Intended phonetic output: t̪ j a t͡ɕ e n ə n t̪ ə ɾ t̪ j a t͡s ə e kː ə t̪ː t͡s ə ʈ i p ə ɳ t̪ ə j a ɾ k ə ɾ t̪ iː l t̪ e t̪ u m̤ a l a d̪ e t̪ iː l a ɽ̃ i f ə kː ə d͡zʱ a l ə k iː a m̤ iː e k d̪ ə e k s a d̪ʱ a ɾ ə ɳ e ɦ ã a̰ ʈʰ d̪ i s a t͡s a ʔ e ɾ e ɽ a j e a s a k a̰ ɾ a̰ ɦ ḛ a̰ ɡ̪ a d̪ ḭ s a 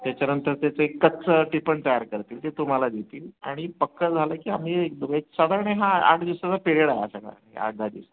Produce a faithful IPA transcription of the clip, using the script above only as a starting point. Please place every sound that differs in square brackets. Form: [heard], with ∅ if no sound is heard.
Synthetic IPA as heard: t̪ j a t͡ɕ [a] n ə n t̪ ə ɾ t̪ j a t͡s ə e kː ə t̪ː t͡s ə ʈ i p ə ɳ t̪ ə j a ɾ k ə ɾ t̪ iː l t̪ e t̪ u m̤ a l a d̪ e t̪ iː l a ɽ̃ i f ə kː ə d͡zʱ a l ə k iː a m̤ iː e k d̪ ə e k s a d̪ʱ a ɾ ə ɳ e ɦ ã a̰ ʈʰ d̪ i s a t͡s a [p] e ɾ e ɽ a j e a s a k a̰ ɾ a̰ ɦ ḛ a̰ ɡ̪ a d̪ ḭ s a